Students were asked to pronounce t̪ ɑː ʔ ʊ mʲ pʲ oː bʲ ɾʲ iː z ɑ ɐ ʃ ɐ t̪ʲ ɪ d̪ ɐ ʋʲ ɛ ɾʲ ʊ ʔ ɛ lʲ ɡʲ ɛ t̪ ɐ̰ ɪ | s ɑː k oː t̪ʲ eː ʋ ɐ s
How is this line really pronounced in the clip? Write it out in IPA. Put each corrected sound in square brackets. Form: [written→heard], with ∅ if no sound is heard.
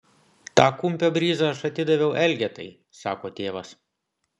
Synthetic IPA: t̪ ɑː [ʔ→k] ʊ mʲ pʲ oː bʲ ɾʲ iː z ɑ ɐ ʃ ɐ t̪ʲ ɪ d̪ ɐ ʋʲ ɛ [ɾʲ→∅] ʊ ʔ ɛ lʲ ɡʲ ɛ t̪ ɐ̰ ɪ | s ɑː k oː t̪ʲ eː ʋ ɐ s